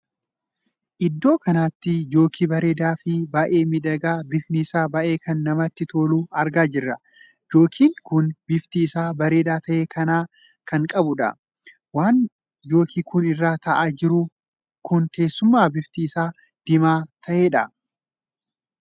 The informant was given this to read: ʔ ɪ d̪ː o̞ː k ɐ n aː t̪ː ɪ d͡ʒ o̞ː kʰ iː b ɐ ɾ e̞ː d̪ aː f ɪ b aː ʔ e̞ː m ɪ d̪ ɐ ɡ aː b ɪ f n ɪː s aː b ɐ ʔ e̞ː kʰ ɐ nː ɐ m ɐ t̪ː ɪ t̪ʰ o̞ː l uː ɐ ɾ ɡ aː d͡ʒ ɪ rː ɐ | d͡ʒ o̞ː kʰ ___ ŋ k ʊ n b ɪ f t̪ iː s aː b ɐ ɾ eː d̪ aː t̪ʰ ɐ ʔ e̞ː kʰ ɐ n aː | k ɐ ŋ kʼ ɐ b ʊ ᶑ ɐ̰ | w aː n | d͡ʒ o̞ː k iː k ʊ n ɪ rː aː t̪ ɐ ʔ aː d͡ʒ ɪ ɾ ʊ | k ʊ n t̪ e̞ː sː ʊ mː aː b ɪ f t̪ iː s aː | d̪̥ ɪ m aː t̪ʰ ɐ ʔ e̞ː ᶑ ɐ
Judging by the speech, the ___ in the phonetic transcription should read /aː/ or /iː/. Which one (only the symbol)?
iː